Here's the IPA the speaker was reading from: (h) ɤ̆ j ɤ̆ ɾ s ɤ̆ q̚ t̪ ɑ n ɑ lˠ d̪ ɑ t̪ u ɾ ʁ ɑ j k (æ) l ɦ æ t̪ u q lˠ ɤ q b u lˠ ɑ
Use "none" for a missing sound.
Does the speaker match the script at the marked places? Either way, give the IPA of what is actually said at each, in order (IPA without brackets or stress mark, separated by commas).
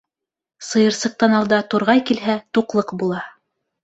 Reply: s, i